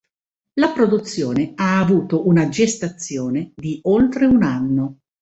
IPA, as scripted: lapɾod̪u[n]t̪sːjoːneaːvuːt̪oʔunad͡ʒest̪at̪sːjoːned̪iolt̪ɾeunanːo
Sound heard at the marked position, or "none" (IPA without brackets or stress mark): none